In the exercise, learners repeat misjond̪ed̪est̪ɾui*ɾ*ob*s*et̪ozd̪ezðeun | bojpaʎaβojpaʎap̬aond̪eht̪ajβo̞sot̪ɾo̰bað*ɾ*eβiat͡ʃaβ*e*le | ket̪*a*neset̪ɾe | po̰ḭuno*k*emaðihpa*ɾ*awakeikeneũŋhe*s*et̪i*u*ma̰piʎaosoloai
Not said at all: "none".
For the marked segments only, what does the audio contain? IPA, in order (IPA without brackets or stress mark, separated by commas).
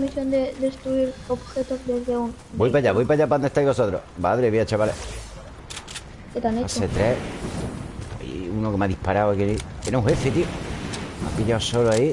ɾ, x, ɾ, a, a, k, ɾ, f, o